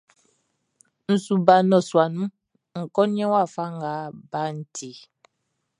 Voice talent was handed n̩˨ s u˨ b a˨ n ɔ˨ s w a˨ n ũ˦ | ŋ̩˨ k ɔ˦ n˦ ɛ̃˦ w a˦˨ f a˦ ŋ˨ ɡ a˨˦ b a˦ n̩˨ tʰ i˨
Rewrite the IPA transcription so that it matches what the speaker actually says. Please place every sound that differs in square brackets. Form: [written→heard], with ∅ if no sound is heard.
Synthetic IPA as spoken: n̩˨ s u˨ b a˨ n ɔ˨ s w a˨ n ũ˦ | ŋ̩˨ k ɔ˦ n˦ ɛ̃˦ w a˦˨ f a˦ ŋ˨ ɡ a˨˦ b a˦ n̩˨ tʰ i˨